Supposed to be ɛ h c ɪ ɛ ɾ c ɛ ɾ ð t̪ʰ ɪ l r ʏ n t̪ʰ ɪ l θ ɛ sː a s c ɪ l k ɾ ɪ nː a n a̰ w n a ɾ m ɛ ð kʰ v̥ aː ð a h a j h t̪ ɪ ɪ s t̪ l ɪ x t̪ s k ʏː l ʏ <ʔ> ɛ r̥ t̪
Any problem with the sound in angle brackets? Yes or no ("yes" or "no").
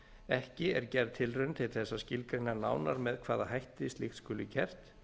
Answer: yes